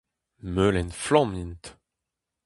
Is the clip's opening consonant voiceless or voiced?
voiced